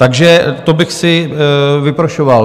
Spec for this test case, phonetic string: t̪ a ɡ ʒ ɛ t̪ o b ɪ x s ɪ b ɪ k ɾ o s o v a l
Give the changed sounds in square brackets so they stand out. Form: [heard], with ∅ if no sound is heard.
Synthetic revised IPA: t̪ a ɡ ʒ ɛ t̪ o b ɪ x s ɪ [v] ɪ [p] ɾ o [ʃ] o v a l